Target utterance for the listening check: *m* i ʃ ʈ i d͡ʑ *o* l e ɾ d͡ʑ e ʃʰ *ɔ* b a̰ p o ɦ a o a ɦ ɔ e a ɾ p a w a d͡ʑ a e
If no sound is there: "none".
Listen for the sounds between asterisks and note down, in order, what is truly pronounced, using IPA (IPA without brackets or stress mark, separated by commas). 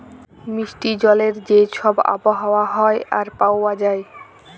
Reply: m, ɔ, ɔ